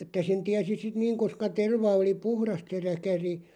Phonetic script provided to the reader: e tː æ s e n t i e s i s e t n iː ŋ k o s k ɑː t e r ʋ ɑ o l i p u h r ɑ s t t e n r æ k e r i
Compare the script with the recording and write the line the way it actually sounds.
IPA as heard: e tː æ s e n t i æ s i s i t n iː ŋ k o s k ɑ t e r ʋ ɑ o l i p u h r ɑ s t s e r æ k æ r i